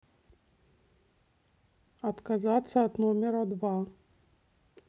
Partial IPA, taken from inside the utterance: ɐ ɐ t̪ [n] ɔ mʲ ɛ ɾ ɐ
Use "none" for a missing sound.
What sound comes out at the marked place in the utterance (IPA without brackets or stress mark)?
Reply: n